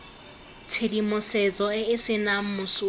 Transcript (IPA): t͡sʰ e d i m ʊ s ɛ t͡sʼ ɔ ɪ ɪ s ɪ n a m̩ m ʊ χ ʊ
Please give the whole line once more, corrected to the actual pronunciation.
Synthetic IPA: t͡sʰ e d i m ʊ s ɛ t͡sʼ ɔ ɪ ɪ s ɪ n a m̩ m ʊ s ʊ